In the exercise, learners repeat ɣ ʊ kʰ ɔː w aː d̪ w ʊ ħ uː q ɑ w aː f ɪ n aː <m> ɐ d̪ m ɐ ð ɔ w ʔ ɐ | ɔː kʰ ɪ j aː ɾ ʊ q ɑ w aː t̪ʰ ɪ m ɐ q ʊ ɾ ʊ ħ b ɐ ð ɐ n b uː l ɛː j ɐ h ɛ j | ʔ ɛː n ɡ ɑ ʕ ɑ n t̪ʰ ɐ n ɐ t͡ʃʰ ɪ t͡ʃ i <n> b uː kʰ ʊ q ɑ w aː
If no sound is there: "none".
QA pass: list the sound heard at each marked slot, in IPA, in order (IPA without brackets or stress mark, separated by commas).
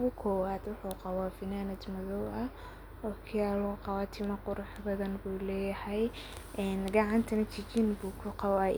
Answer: n, n